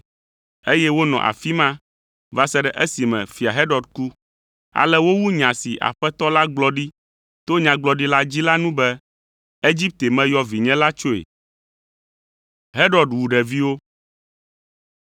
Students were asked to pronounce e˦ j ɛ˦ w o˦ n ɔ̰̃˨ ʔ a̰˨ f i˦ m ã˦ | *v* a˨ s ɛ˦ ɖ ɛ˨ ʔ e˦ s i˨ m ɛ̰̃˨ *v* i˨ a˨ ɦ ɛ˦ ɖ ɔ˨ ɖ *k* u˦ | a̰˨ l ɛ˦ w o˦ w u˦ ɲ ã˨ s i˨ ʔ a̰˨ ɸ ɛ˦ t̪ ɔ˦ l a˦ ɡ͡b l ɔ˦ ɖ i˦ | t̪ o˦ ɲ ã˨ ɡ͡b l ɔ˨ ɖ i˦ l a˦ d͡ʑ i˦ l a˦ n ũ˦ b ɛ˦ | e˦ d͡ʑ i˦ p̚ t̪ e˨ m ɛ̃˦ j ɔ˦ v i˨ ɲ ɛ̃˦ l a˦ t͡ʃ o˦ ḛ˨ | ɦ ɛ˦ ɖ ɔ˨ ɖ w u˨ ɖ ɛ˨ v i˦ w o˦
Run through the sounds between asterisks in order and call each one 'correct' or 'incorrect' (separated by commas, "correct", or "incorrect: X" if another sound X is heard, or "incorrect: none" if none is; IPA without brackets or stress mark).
correct, incorrect: f, correct